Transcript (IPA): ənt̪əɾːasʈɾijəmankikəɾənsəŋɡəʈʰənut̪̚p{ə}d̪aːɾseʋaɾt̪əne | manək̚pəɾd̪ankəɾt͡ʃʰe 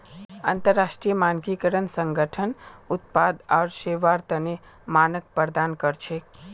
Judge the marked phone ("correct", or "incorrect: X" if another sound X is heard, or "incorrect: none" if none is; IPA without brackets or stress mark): incorrect: a